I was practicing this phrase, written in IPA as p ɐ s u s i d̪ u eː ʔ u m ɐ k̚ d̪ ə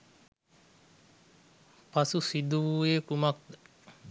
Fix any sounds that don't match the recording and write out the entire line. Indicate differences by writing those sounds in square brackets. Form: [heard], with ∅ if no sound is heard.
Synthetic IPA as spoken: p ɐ s u s i d̪ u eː [k] u m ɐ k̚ d̪ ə